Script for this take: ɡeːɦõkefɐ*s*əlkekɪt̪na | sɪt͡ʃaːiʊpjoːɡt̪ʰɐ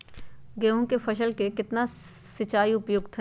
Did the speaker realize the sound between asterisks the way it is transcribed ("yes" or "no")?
no